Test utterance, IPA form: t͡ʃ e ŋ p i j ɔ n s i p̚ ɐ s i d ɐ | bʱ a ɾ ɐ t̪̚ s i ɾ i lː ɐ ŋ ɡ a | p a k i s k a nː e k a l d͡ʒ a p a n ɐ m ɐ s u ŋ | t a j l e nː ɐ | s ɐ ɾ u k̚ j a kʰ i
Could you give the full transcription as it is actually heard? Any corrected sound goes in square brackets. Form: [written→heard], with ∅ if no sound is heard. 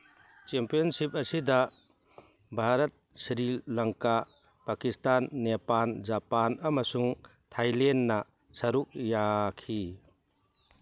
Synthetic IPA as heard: t͡ʃ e [ŋ→m] p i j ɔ n s i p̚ ɐ s i d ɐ | bʱ a ɾ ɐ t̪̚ s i ɾ i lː ɐ ŋ [ɡ→k] a | p a k i s [k→t] a nː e [k→p] a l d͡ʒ a p a n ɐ m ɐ s u ŋ | [t→tʰ] a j l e nː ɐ | s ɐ ɾ u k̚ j a kʰ i

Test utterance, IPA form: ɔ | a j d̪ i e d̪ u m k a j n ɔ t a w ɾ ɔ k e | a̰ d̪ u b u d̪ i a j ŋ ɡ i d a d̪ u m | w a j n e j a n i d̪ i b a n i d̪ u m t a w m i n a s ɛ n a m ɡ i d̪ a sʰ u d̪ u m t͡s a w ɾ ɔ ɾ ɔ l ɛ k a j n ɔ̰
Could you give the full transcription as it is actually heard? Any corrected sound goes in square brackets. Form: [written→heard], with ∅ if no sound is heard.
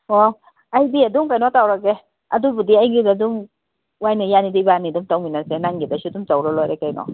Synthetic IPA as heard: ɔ | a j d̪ i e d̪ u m k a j n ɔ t a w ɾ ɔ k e | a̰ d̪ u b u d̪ i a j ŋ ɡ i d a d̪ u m | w a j n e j a n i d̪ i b a n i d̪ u m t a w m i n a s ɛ n a [m→ŋ] ɡ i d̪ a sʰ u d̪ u m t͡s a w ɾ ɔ [ɾ→l] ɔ [l→ɾ] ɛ k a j n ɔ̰

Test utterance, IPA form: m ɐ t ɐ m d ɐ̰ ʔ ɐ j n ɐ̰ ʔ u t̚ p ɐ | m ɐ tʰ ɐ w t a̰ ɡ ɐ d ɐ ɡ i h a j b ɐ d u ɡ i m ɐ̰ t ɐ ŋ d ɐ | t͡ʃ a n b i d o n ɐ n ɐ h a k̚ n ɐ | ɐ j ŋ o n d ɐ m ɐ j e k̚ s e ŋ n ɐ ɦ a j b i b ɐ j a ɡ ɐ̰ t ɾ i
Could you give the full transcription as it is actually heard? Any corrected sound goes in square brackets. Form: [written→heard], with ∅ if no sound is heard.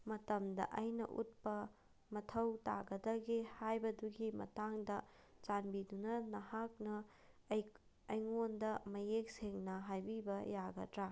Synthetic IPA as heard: m ɐ t ɐ m d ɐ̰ ʔ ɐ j n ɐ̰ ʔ u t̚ p ɐ | m ɐ tʰ ɐ w t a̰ ɡ ɐ d ɐ ɡ i h a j b ɐ d u ɡ i m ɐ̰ t [ɐ→a] ŋ d ɐ | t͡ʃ a n b i d [o→u] n ɐ n ɐ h a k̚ n ɐ | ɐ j ŋ o n d ɐ m ɐ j e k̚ s e ŋ n ɐ ɦ a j b i b ɐ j a ɡ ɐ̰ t ɾ [i→a]

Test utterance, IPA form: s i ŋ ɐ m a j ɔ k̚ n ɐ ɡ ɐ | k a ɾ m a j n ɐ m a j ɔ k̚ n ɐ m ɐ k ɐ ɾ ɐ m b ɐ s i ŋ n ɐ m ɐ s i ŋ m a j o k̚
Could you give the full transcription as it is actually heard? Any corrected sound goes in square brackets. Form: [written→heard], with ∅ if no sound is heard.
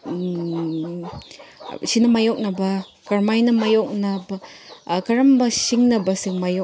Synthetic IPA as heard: s i [ŋ→n] ɐ m a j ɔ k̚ n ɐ [ɡ→b] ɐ | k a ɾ m a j n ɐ m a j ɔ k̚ n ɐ [m→b] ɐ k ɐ ɾ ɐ m b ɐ s i ŋ n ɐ [m→b] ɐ s i ŋ m a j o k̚

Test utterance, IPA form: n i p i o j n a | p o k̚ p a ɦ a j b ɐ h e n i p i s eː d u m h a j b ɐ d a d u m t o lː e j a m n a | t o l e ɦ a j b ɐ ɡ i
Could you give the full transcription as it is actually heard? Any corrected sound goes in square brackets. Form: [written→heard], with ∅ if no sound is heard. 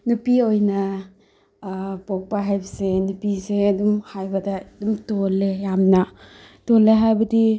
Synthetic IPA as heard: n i p i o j n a | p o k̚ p a ɦ a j b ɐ [h→s] e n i p i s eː d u m h a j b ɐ d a d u m t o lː e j a m n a | t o l e ɦ a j b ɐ [ɡ→d] i

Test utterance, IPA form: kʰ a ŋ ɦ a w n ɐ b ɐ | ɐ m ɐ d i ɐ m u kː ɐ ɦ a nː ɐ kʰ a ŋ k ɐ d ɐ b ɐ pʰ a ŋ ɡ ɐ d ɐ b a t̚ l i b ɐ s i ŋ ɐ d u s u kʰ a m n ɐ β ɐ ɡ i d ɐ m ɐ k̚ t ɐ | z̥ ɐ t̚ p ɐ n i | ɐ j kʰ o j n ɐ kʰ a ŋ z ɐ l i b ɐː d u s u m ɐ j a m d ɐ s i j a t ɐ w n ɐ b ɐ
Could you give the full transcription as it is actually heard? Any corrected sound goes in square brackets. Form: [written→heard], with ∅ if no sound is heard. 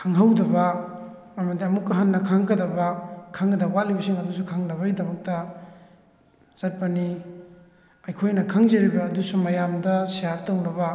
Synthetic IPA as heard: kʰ a ŋ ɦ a w [n→d] ɐ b ɐ | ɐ m ɐ d i ɐ m u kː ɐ ɦ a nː ɐ kʰ a ŋ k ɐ d ɐ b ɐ [pʰ→kʰ] a ŋ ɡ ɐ d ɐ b a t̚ l i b ɐ s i ŋ ɐ d u s u kʰ a [m→ŋ] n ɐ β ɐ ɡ i d ɐ m ɐ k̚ t ɐ | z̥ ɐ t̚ p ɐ n i | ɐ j kʰ o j n ɐ kʰ a ŋ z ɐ [l→ɾ] i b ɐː d u s u m ɐ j a m d ɐ s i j a t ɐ w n ɐ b ɐ

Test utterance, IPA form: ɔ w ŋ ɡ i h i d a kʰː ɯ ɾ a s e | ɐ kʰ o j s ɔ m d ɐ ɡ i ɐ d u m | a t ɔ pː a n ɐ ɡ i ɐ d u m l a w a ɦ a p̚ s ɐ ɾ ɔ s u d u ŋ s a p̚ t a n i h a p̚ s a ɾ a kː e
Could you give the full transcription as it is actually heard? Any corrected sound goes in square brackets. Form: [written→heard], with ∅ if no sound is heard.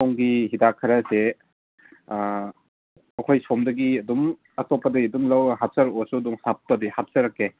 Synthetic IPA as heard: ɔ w ŋ ɡ i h i d a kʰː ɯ ɾ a s e | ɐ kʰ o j s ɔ m d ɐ ɡ i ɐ d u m | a t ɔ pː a [n→d] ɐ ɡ i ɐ d u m l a w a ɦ a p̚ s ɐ ɾ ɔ s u d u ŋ s a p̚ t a [n→d] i h a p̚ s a ɾ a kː e

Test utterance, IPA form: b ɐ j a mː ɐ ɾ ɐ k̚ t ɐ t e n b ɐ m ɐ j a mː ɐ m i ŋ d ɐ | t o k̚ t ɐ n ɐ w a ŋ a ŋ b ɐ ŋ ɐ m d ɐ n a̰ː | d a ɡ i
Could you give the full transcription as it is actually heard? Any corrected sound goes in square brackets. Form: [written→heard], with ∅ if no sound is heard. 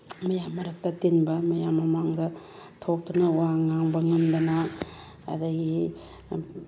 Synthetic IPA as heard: [b→m] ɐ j a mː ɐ ɾ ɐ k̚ t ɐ t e n b ɐ m ɐ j a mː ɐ m [i→a] ŋ d ɐ | [t→tʰ] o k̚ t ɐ n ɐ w a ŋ a ŋ b ɐ ŋ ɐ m d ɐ n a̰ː | d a ɡ i

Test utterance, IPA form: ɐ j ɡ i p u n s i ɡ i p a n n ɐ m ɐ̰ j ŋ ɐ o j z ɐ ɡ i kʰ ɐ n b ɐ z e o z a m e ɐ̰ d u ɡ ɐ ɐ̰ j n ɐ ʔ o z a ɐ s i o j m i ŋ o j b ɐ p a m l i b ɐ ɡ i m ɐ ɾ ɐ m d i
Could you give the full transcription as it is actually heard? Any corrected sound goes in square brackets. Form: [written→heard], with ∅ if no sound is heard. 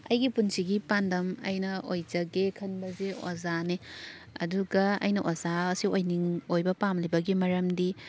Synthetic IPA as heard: ɐ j ɡ i p u n s i ɡ i p a n [n→d] ɐ m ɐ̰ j [ŋ→n] ɐ o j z ɐ ɡ [i→e] kʰ ɐ n b ɐ z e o z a [m→n] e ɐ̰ d u ɡ ɐ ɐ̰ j n ɐ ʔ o z a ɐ s i o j [m→n] i ŋ o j b ɐ p a m l i b ɐ ɡ i m ɐ ɾ ɐ m d i

